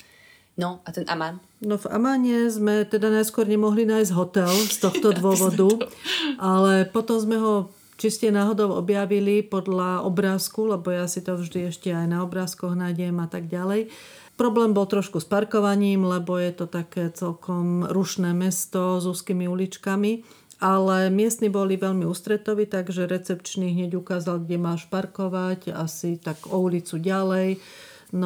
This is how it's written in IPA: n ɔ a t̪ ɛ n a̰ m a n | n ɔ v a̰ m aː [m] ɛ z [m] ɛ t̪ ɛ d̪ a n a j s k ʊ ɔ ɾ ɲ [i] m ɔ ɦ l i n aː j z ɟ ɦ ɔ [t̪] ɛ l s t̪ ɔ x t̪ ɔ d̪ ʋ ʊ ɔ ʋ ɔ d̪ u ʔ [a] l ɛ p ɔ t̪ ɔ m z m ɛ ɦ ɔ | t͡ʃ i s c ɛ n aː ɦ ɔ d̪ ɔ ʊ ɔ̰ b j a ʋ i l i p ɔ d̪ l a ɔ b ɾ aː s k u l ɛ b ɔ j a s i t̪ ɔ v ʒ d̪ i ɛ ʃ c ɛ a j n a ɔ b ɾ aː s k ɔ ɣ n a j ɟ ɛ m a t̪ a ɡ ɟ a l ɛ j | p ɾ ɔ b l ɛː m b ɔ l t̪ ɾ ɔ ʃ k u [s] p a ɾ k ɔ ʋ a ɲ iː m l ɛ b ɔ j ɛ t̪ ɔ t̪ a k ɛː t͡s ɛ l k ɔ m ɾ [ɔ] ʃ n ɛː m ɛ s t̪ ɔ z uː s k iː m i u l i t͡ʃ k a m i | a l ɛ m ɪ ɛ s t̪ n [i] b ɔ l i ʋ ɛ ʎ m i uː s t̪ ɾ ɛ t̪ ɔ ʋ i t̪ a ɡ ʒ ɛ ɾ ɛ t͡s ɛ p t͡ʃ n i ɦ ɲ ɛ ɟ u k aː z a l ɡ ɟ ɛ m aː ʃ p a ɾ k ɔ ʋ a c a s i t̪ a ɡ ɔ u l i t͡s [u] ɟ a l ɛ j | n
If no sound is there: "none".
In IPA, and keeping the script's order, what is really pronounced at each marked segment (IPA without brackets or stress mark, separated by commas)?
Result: ɲ, m, ɛ, t̪, a, s, u, i, u